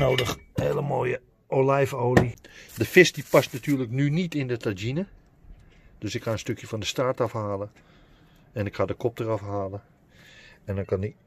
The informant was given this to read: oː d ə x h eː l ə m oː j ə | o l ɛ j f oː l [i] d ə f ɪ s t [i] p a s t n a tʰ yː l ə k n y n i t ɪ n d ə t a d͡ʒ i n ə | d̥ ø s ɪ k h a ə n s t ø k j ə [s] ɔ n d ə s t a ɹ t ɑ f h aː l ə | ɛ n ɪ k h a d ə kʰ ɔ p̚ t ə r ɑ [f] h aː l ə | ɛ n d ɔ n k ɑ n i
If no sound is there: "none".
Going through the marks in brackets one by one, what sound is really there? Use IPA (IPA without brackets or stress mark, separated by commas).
i, i, f, f